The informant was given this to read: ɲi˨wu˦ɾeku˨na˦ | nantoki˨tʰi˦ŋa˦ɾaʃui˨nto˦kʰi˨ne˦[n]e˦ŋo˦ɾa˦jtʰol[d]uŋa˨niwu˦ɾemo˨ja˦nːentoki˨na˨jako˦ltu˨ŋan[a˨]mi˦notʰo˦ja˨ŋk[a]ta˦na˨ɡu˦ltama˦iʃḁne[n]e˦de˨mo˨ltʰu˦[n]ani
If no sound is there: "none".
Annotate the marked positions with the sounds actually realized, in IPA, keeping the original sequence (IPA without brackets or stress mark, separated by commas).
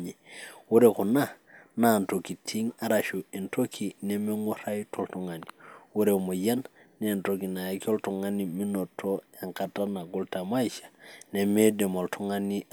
m, t, i˨, a, m, ŋ